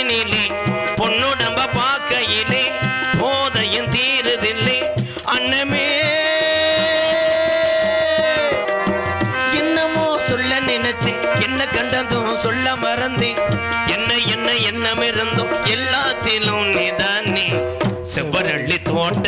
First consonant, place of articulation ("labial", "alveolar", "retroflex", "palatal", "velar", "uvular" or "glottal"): alveolar